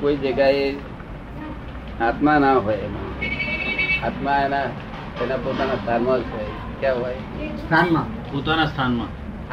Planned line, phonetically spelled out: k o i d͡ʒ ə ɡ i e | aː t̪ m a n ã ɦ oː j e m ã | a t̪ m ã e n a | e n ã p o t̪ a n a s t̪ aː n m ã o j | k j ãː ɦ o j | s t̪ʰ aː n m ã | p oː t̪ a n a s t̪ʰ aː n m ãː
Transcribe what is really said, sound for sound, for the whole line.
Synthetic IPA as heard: k o i d͡ʒ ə ɡ a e | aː t̪ m a n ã ɦ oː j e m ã | a t̪ m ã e n a | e n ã p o t̪ a n a s t̪ʰ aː n m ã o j | k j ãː ɦ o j | s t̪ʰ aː n m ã | p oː t̪ a n a s t̪ʰ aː n m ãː